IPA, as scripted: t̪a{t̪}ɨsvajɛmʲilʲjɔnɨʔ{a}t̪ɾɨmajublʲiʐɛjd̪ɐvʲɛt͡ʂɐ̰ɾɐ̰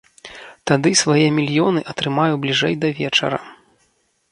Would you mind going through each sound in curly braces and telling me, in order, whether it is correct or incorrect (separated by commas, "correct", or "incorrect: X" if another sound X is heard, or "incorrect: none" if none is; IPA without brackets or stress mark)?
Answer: incorrect: d̪, incorrect: ɐ